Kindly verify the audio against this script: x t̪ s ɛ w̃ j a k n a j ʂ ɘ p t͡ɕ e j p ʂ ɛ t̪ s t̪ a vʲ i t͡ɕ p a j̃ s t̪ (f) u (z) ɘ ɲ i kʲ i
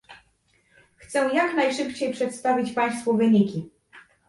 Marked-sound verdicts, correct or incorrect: correct, incorrect: v

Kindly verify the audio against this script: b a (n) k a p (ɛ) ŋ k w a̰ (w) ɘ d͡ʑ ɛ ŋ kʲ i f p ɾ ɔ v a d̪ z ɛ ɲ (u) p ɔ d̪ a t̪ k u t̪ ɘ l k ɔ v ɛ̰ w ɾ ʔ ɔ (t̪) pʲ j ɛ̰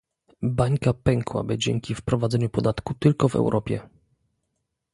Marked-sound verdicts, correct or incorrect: incorrect: ɲ, correct, incorrect: b, correct, incorrect: none

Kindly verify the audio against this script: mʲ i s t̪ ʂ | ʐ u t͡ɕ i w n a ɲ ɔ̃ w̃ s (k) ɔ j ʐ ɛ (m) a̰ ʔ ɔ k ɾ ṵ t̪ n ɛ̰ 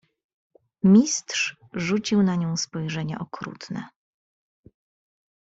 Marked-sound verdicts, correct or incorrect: incorrect: p, incorrect: ɲ

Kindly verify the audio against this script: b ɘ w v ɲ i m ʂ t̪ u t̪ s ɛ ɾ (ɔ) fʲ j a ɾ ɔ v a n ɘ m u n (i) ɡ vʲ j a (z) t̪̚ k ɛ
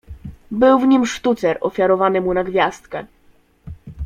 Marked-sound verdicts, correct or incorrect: correct, incorrect: a, incorrect: s

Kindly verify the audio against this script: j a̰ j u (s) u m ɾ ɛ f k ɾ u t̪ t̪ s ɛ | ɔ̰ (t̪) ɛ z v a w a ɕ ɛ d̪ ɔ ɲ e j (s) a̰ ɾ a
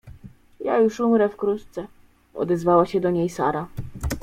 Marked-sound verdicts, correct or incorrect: incorrect: ʂ, incorrect: d̪, correct

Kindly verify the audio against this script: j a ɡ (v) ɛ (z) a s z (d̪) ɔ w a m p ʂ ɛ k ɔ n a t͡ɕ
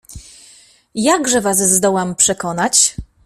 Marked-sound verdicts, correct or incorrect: incorrect: ʐ, incorrect: v, correct

